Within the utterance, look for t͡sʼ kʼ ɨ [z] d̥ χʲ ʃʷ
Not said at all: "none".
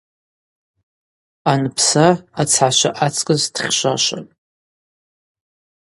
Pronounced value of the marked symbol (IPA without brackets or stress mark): z